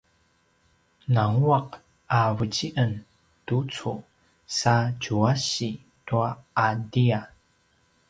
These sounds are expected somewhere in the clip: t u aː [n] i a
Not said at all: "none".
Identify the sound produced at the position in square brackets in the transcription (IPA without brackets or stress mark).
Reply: d